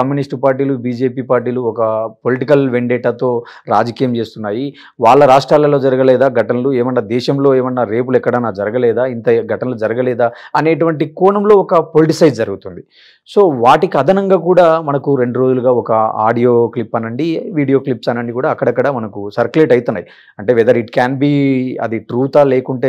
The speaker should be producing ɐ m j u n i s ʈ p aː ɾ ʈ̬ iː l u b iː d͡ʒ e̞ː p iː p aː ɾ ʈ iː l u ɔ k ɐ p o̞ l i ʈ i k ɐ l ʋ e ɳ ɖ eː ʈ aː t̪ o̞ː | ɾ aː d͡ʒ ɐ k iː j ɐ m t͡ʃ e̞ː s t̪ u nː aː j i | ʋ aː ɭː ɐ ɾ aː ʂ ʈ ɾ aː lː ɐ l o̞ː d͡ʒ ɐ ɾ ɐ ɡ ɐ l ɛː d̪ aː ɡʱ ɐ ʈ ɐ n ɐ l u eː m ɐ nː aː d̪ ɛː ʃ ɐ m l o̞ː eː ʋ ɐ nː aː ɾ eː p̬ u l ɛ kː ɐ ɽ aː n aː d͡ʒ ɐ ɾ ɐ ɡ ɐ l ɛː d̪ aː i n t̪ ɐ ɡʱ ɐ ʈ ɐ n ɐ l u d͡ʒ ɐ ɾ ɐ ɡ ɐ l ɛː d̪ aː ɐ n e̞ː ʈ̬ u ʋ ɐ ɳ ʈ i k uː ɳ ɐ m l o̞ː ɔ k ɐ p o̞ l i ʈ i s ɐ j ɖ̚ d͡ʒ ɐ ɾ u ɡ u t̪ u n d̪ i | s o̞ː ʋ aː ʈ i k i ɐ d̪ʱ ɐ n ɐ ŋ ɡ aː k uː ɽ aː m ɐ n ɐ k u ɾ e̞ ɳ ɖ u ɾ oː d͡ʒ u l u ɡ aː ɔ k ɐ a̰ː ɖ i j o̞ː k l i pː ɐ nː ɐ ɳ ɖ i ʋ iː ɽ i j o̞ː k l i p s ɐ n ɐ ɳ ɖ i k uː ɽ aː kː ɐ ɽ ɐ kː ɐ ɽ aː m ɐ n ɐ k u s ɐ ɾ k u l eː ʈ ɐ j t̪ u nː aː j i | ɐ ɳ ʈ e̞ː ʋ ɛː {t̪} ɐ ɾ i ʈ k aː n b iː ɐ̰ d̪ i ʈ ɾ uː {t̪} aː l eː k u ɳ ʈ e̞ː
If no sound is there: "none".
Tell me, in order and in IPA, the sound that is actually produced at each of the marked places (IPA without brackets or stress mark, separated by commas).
d̪, t̪